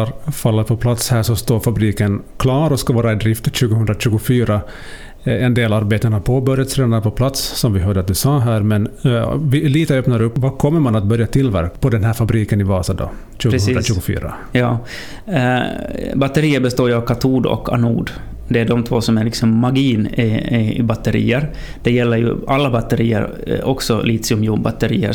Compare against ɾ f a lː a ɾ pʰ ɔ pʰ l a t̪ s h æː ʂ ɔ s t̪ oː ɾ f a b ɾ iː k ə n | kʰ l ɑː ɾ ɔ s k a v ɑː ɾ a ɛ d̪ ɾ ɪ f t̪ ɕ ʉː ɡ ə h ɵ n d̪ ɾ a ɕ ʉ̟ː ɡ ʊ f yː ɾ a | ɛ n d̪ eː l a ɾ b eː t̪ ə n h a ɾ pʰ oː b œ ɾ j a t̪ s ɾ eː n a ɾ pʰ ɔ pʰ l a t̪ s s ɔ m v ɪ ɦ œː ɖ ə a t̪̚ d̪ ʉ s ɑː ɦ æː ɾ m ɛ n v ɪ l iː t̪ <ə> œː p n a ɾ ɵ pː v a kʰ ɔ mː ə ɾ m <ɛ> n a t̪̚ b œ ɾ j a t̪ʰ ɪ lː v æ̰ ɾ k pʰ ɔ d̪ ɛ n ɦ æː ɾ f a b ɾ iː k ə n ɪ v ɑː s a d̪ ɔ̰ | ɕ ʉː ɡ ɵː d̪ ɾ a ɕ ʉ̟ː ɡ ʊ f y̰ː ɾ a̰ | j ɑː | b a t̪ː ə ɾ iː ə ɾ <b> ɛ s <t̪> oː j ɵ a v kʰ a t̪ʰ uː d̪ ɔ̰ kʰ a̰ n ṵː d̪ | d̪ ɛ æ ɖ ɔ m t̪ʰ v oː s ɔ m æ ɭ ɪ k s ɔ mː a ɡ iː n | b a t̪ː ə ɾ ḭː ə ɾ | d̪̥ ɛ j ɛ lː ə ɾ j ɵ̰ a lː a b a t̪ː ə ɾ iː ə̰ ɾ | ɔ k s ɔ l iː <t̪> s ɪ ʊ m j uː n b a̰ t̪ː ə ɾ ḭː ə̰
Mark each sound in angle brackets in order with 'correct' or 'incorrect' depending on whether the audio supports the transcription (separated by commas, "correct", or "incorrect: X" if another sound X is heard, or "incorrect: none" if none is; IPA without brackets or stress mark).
correct, incorrect: a, correct, correct, correct